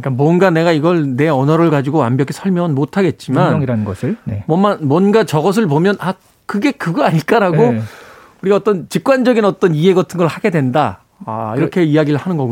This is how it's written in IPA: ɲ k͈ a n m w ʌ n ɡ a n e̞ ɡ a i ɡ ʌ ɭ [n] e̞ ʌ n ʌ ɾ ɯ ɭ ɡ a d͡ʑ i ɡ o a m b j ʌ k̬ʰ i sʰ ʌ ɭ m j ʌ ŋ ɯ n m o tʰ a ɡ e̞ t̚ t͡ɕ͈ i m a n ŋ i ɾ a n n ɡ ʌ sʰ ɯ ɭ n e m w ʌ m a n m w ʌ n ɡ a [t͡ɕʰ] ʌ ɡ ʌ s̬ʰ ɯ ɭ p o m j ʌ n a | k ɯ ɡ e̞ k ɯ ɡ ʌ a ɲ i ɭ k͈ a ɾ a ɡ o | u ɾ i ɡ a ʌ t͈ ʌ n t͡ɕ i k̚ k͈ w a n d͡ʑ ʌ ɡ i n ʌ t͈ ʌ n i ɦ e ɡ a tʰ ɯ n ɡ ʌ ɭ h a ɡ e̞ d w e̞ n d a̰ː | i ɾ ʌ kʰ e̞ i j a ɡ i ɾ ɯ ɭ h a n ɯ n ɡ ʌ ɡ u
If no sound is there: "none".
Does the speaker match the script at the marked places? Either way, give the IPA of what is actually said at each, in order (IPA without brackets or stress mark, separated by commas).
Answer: n, t͡ɕ